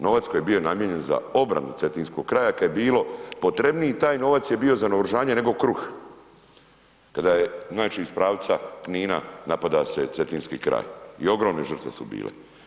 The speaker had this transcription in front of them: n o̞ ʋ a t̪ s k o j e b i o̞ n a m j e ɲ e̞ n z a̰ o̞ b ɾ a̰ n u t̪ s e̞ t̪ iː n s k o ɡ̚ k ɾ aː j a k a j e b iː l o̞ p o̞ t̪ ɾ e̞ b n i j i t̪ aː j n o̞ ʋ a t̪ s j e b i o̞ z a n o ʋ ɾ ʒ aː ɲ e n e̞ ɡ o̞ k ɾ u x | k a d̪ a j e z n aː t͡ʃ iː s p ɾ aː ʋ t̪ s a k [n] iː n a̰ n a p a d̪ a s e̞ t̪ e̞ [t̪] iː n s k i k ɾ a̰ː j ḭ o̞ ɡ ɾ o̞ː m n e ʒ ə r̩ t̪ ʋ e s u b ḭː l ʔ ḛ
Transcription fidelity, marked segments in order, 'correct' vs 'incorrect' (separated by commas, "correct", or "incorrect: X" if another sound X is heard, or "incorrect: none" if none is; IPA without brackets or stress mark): correct, correct